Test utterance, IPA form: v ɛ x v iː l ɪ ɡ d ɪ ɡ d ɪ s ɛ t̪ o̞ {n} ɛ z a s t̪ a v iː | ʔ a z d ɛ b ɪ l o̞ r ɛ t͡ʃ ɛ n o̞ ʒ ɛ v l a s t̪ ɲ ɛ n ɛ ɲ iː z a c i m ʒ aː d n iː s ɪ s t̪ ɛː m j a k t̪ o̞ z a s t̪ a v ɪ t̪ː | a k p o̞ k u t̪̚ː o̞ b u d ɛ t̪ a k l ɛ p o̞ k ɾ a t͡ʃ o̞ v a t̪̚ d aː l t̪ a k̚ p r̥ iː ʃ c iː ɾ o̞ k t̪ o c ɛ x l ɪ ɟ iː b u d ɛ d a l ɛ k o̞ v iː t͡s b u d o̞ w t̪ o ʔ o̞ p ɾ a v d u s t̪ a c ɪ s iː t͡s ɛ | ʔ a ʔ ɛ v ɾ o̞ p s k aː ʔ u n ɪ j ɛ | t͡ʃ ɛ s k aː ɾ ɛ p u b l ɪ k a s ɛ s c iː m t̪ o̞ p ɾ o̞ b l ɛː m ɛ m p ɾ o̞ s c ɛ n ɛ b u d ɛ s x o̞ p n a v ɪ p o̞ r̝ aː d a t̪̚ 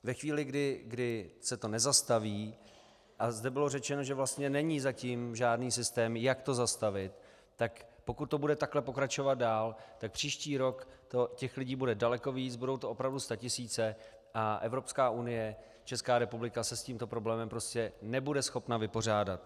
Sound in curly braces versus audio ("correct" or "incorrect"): correct